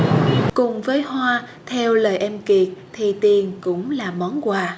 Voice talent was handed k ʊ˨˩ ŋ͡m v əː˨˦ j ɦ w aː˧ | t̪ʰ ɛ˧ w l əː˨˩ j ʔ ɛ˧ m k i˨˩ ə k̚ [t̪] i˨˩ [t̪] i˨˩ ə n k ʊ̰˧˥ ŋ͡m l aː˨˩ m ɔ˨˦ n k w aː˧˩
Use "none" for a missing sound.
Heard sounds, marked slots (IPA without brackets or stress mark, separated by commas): t̪ʰ, t̪